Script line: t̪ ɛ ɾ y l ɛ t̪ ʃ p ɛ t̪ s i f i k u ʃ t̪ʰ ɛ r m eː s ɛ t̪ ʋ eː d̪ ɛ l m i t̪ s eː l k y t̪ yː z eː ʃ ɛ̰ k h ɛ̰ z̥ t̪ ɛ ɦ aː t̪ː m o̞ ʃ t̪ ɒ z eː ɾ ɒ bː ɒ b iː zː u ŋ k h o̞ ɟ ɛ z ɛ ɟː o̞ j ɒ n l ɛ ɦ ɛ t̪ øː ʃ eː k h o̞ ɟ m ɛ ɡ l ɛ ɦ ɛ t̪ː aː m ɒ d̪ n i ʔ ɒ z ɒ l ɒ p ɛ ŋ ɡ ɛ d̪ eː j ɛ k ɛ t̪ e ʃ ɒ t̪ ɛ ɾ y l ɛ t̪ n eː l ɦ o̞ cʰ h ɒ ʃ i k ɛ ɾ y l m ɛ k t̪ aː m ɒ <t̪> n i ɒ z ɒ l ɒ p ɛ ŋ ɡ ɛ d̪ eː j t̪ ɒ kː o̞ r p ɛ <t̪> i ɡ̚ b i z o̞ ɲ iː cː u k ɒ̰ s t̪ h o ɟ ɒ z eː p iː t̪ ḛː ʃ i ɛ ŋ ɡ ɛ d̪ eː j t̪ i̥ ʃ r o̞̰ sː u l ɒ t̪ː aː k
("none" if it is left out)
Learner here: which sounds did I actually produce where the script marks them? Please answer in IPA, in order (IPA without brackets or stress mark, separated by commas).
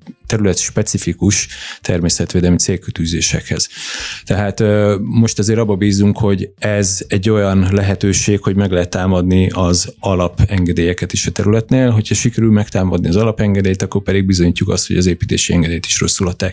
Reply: d̪, d̪